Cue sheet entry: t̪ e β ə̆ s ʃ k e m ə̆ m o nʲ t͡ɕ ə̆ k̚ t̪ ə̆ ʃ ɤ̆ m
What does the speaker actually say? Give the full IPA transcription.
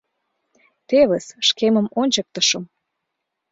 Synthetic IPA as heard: t̪ e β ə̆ s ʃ k e m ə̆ m o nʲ t͡ɕ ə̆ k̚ t̪ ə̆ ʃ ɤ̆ m